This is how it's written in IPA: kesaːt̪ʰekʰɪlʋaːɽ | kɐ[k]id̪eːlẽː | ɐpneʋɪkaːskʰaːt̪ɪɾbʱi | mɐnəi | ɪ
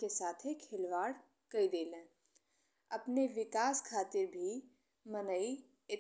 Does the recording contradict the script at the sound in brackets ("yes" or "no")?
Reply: yes